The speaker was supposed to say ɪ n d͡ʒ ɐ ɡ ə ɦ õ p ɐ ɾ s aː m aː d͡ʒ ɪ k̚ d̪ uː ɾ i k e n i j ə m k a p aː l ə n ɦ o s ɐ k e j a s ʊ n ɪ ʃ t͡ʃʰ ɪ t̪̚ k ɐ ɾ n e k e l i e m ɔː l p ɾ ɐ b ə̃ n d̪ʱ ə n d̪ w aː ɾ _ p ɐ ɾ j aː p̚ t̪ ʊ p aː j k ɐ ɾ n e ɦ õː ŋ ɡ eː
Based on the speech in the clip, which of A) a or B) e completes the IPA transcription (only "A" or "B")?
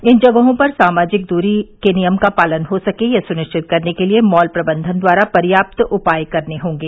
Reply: A